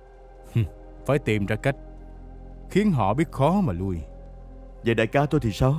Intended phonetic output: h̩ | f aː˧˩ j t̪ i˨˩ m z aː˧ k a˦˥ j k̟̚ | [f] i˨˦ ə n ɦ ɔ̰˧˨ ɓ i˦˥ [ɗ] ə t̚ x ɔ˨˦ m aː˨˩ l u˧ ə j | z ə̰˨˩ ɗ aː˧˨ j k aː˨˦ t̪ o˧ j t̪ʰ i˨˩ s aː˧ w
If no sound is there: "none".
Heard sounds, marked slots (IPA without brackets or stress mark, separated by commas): x, none